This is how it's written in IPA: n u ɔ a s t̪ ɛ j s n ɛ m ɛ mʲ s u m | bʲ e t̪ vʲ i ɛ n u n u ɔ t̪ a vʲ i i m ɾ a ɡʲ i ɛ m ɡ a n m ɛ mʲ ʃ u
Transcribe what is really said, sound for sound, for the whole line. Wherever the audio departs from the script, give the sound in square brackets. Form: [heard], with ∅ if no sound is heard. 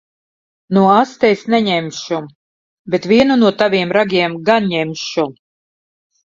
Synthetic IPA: n u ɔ a s t̪ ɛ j s n ɛ [ɲ] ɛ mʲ [ʃ] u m | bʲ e t̪ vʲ i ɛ n u n u ɔ t̪ a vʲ i [ɛ] m ɾ a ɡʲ i ɛ m ɡ a n [ɲ] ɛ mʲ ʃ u